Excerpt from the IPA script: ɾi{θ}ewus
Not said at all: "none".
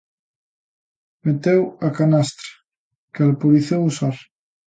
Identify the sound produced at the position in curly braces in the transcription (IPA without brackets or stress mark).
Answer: θ